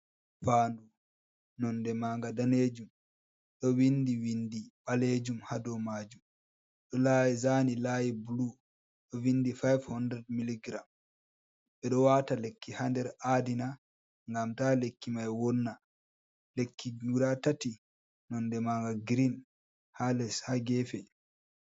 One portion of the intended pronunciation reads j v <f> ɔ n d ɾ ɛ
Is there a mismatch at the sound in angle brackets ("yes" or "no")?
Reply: yes